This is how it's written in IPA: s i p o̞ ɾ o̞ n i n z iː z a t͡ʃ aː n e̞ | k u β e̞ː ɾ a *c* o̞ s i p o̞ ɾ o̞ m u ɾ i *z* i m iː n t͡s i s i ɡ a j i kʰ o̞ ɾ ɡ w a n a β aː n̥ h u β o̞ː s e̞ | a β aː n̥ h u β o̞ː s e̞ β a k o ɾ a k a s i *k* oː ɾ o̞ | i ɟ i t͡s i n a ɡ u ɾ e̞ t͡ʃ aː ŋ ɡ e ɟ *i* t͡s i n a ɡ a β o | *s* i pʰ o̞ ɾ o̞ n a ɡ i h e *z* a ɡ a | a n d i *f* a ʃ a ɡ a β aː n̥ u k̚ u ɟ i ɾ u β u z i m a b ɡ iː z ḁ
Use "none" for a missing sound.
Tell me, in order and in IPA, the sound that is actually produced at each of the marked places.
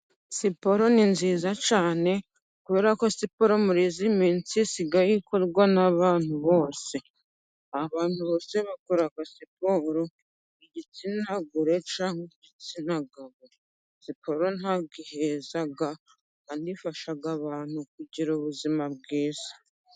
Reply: k, z, p, i, s, z, f

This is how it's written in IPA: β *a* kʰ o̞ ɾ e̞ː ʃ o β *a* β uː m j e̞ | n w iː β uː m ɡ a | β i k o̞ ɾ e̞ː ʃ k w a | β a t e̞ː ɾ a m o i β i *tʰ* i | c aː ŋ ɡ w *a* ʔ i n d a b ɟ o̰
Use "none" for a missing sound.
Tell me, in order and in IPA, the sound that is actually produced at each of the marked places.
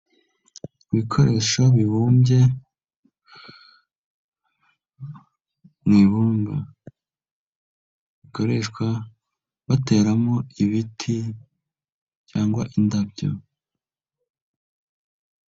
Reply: i, i, tʰ, a

